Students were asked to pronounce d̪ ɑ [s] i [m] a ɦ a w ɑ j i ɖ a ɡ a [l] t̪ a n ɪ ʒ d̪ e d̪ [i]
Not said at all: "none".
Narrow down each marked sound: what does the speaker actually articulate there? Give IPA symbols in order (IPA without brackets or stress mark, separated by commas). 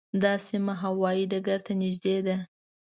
s, m, ɾ, a